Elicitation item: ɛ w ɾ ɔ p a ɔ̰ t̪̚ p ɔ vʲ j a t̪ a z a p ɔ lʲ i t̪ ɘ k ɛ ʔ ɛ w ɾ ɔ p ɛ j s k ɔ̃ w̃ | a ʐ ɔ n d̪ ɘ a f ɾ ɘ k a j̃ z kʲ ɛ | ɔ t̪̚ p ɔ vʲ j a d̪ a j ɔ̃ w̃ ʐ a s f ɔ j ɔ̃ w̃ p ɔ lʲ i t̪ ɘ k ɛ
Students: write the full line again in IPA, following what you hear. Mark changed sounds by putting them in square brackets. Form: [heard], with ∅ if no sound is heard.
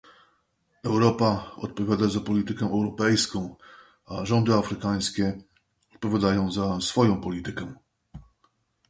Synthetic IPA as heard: ɛ w ɾ ɔ p a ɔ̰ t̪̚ p ɔ vʲ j a [d̪] a z a p ɔ lʲ i t̪ ɘ k ɛ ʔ ɛ w ɾ ɔ p ɛ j s k ɔ̃ w̃ | a ʐ ɔ n d̪ ɘ a f ɾ ɘ k a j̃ [s] kʲ ɛ | ɔ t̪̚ p ɔ vʲ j a d̪ a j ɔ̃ w̃ [z] a s f ɔ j ɔ̃ w̃ p ɔ lʲ i t̪ ɘ k ɛ